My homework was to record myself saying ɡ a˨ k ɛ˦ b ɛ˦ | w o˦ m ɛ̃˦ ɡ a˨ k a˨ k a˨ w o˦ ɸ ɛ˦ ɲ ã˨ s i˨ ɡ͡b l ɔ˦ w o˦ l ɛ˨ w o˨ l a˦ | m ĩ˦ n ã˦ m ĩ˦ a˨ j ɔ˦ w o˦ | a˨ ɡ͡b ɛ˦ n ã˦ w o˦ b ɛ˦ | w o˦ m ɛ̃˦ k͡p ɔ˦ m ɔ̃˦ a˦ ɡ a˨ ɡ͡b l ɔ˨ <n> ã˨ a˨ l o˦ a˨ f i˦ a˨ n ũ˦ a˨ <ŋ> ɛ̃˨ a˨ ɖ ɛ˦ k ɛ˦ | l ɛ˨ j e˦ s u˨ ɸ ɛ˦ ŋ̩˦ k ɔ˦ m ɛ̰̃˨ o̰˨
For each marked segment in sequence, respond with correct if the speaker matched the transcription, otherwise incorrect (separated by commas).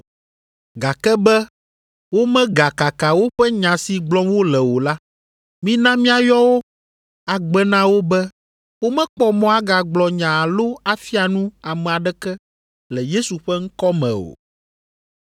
incorrect, incorrect